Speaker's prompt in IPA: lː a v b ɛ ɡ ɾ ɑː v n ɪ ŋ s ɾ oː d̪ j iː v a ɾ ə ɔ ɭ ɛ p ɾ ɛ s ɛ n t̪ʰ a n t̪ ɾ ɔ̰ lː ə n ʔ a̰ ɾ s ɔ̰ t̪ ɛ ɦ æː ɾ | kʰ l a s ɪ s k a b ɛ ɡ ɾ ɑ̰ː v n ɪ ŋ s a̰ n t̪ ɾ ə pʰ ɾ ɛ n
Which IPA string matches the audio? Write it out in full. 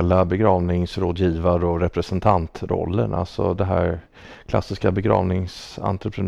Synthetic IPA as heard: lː a b ɛ ɡ ɾ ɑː v n ɪ ŋ s ɾ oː d̪ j iː v a ɾ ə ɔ ɾ ɛ p ɾ ɛ s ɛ n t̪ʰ a n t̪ ɾ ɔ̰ lː ə n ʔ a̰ l s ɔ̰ d̪ ɛ ɦ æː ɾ | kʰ l a s ɪ s k a b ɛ ɡ ɾ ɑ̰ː v n ɪ ŋ s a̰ n t̪ ɾ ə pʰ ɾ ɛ n